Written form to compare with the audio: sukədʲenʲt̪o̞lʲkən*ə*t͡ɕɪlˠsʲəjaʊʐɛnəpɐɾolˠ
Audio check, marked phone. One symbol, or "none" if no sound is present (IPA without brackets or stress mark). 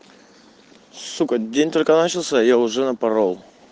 a